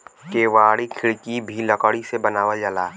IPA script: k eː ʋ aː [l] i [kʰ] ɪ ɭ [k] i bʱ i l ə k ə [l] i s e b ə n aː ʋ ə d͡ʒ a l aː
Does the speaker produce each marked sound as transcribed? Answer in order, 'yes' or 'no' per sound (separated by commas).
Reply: no, yes, yes, no